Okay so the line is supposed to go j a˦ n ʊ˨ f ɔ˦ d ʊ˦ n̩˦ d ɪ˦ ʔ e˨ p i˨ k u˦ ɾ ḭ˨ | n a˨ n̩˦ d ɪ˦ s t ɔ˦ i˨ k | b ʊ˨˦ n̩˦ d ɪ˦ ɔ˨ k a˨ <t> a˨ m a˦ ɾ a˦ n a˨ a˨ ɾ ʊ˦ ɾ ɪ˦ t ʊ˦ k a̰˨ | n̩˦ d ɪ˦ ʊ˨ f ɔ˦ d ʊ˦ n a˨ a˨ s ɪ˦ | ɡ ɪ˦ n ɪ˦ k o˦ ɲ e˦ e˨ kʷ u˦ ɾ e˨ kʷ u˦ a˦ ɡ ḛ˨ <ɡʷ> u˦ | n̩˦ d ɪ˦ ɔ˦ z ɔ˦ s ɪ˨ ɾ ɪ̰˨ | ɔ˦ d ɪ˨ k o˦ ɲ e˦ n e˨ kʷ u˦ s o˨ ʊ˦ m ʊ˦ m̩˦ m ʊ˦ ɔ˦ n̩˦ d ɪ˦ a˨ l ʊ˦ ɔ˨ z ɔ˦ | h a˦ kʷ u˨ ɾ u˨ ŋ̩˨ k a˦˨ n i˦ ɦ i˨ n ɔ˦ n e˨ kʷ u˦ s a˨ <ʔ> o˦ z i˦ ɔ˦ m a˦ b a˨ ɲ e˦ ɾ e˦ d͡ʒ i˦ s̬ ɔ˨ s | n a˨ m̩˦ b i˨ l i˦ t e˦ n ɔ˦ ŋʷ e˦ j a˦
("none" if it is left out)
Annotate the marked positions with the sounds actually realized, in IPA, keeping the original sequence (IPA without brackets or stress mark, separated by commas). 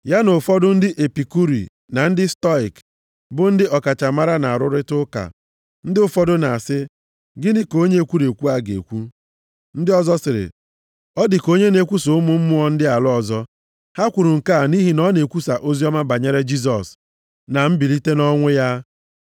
t͡ʃ, kʷ, ʔ